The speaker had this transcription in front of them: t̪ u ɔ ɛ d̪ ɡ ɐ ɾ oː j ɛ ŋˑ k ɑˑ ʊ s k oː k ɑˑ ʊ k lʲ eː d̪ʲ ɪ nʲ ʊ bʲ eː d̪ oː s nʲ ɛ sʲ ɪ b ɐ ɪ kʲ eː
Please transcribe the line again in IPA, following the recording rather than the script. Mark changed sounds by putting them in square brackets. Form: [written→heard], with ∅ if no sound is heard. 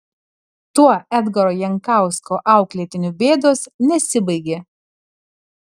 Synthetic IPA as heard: t̪ u ɔ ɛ d̪ ɡ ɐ ɾ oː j ɛ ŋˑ k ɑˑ ʊ s k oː [k→ʔ] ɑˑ ʊ k lʲ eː [d̪ʲ→t̪ʲ] ɪ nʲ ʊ bʲ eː d̪ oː s nʲ ɛ sʲ ɪ b ɐ ɪ [kʲ→ɡʲ] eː

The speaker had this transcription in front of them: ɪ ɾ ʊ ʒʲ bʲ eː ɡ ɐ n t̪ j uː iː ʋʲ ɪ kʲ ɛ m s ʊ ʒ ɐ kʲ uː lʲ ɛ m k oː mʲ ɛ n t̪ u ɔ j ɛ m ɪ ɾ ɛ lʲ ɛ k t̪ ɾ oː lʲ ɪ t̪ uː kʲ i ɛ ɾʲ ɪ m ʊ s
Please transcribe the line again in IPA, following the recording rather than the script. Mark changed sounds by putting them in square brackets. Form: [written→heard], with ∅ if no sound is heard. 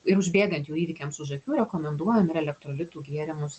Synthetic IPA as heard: ɪ ɾ ʊ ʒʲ bʲ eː ɡ ɐ n t̪ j uː iː ʋʲ ɪ kʲ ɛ m s ʊ ʒ ɐ kʲ uː [lʲ→ɾʲ] ɛ [m→∅] k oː mʲ ɛ n [t̪→d̪] u ɔ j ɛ m ɪ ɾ ɛ lʲ ɛ k t̪ ɾ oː lʲ ɪ t̪ uː [kʲ→ɡʲ] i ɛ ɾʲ ɪ m ʊ s

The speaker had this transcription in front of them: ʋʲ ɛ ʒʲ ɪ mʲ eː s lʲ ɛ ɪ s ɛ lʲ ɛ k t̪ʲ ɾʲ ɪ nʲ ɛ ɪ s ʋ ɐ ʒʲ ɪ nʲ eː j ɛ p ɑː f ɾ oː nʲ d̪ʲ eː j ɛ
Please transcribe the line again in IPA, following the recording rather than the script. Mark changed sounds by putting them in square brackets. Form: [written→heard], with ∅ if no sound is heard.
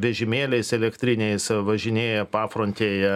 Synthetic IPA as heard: ʋʲ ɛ ʒʲ ɪ mʲ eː [s→∅] lʲ ɛ ɪ s ɛ lʲ ɛ k t̪ʲ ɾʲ ɪ nʲ ɛ ɪ s ʋ ɐ ʒʲ ɪ nʲ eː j ɛ p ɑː f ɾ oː nʲ [d̪ʲ→t̪ʲ] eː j ɛ

